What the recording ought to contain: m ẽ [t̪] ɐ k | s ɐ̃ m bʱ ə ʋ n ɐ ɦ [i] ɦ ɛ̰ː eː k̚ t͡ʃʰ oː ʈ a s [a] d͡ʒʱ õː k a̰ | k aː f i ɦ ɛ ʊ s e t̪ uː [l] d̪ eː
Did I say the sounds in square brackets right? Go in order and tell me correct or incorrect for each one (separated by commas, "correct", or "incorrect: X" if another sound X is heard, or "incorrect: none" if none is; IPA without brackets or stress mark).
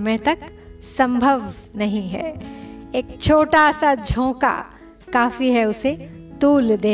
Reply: correct, incorrect: ĩ, correct, correct